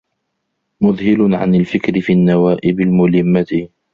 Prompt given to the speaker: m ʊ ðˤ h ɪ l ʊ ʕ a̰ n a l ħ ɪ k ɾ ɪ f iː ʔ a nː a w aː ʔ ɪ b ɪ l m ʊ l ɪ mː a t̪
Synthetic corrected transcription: m ʊ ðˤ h ɪ l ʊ ʕ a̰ n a l f ɪ k ɾ ɪ f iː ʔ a nː a w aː ʔ ɪ b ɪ l m ʊ l ɪ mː a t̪